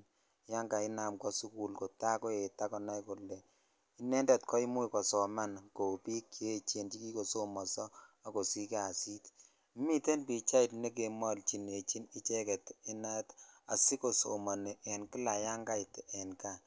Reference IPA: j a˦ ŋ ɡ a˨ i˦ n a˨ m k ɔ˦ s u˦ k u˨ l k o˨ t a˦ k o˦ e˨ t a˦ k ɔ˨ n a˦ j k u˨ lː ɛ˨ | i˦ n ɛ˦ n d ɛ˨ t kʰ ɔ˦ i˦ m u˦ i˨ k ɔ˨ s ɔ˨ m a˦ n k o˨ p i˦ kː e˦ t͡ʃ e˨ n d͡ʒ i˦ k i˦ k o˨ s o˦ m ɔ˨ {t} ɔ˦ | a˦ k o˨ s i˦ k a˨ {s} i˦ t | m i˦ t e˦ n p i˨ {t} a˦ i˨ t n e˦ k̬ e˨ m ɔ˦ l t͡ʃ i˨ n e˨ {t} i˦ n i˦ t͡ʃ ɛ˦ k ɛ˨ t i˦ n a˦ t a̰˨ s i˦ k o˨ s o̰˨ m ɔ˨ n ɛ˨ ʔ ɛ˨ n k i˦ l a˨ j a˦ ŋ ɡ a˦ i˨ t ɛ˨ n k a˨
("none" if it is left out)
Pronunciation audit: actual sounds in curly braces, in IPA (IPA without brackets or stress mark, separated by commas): s, s, t͡ʃ, t͡ʃ